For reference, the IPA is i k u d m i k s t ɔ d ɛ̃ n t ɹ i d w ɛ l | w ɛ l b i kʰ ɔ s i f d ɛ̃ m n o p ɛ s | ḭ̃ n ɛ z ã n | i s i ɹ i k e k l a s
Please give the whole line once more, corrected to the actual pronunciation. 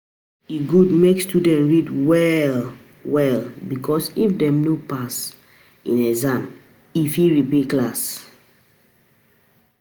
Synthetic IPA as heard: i ɡ u d m e k s t u d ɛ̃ n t ɹ i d w ɛ l | w ɛ l b i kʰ ɔ s i f d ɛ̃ m n o p a s | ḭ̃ n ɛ z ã m | i f i ɹ i p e k l a s